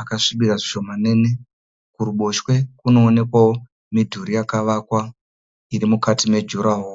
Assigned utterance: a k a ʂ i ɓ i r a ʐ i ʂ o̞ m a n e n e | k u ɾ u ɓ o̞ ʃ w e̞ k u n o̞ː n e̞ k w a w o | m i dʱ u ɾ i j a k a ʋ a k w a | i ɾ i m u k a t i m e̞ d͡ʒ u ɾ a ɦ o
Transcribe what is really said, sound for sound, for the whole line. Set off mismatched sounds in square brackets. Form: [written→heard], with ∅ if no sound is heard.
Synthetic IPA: a k a ʂ i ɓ i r a ʐ i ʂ o̞ m a n e n e | k u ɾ u ɓ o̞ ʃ w e̞ k u n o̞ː n e̞ k w a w o | m i dʱ u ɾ i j a k a ʋ a k w a | i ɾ i m u k a t i m e̞ d͡ʒ u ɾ a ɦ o

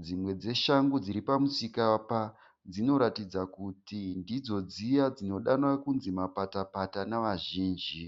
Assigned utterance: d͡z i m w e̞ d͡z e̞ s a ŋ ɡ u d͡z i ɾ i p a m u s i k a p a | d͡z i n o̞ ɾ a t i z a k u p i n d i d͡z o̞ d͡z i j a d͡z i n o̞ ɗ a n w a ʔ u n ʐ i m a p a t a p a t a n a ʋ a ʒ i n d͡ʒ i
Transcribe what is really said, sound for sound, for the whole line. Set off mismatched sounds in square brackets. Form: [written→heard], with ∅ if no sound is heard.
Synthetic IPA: d͡z i m w e̞ d͡z e̞ [s→ʃ] a ŋ ɡ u d͡z i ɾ i p a m u s i k a p a | d͡z i n o̞ ɾ a t i [z→d͡z] a k u [p→t] i n d i d͡z o̞ d͡z i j a d͡z i n o̞ ɗ a n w a [ʔ→k] u n [ʐ→z] i m a p a t a p a t a n a ʋ a ʒ [i→iː] n d͡ʒ i

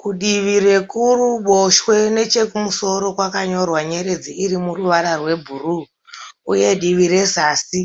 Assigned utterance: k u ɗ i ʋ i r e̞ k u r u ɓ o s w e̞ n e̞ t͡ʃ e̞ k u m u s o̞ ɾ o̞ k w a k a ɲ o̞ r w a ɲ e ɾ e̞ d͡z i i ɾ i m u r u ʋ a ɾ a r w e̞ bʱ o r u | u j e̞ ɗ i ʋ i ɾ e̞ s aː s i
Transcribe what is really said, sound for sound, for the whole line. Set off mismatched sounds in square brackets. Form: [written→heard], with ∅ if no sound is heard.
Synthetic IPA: k u ɗ i ʋ i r e̞ k u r u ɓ o [s→ʃ] w e̞ n e̞ t͡ʃ e̞ k u m u s o̞ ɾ o̞ k w a k a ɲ o̞ r w a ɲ e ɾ e̞ d͡z i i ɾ i m u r u ʋ a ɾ a r w e̞ bʱ [o→u] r u | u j e̞ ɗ i ʋ i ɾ e̞ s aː s i

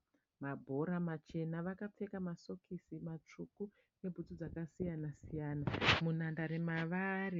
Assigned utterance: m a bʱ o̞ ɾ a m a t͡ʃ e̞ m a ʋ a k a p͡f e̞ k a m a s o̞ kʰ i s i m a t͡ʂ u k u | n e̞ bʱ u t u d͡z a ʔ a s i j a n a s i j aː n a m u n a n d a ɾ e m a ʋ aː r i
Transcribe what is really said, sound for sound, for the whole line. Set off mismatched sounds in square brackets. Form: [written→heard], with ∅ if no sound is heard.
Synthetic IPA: m a bʱ o̞ ɾ a m a t͡ʃ e̞ [m→n] a ʋ a k a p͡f e̞ k a m a s o̞ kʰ i s i m a t͡ʂ u k u | n e̞ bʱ u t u d͡z a [ʔ→k] a s i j a n a s i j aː n a m u n a n d a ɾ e m a ʋ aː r i

